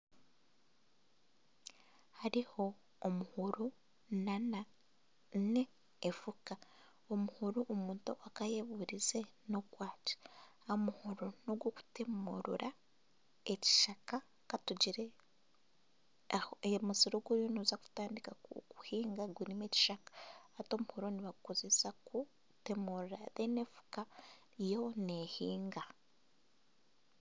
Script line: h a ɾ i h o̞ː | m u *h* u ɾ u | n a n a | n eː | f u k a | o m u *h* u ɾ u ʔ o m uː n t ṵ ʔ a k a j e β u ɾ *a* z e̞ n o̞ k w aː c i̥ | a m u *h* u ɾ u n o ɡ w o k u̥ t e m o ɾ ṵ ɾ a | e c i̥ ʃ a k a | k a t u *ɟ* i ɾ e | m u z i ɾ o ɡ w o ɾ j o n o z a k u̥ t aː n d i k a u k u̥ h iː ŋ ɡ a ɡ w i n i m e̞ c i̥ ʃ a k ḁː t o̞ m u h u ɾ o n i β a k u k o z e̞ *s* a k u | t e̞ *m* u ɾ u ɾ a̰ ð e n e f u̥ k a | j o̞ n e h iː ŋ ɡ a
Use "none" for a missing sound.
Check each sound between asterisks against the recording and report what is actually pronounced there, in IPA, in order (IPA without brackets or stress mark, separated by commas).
h, h, i, h, ɟ, s, m